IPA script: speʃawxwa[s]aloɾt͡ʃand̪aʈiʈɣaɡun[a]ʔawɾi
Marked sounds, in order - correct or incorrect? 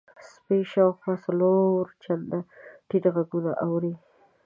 correct, correct

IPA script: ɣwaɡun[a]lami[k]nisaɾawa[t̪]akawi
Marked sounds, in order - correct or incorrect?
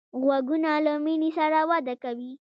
correct, incorrect: none, incorrect: d̪

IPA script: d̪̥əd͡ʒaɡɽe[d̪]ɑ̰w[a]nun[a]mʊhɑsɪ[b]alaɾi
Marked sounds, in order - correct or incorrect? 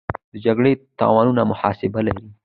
incorrect: t̪, incorrect: ɑ, correct, correct

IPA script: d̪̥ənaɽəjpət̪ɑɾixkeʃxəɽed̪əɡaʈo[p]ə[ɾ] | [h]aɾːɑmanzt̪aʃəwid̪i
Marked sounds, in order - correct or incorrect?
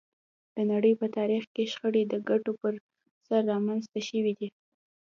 correct, correct, incorrect: s

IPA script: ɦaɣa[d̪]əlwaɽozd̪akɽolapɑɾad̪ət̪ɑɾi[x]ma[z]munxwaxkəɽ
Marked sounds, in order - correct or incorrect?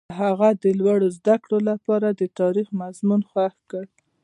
correct, correct, correct

